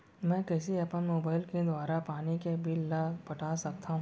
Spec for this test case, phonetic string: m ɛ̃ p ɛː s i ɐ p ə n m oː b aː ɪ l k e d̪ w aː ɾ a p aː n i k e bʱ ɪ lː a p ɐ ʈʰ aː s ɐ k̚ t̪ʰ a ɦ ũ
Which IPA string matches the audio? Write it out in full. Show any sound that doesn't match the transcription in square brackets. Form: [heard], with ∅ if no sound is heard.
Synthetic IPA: m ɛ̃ [k] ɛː s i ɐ p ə n m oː b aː ɪ l k e d̪ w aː ɾ a p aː n i k e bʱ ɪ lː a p ɐ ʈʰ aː s ɐ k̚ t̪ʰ a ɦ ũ